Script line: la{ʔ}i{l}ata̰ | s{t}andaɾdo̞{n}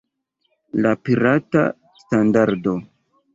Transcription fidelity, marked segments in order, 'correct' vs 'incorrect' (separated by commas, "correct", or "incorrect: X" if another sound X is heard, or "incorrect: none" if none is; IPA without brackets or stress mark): incorrect: p, incorrect: ɾ, correct, incorrect: none